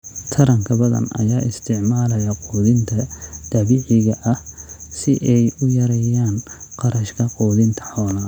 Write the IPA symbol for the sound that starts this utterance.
t̪ʰ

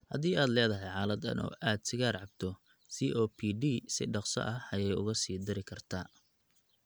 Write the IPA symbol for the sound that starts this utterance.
h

